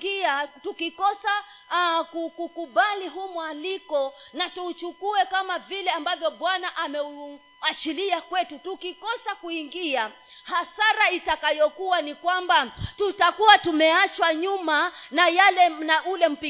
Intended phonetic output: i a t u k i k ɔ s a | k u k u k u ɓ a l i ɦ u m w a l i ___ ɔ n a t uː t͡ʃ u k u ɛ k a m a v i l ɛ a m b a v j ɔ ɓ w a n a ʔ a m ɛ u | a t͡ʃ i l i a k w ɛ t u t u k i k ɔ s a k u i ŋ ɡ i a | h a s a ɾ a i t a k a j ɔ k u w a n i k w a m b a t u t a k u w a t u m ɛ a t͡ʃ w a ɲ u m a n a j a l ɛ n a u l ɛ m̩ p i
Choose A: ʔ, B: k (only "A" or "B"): B